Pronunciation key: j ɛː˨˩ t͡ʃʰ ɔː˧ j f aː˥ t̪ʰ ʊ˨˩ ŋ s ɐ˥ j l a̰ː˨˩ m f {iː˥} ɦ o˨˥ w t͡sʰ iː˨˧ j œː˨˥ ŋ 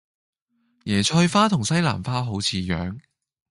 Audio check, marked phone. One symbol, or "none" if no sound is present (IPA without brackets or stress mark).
aː˥